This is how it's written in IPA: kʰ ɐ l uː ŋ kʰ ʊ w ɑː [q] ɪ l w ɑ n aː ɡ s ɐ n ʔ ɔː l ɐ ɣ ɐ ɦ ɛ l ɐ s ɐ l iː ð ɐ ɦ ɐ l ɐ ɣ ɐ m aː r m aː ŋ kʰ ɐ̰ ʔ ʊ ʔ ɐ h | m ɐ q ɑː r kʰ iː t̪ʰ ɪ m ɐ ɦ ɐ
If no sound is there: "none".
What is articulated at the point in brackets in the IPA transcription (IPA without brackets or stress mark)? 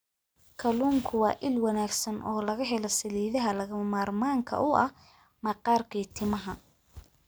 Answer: ʔ